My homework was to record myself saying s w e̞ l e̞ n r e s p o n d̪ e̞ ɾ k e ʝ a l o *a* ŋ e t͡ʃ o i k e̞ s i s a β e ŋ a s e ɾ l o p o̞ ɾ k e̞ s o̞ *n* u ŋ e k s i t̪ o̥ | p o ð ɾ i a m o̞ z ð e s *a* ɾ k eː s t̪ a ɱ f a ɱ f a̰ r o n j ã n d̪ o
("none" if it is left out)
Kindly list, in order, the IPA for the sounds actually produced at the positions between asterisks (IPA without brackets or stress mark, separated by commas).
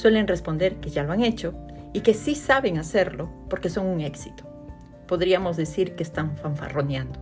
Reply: a, ŋ, i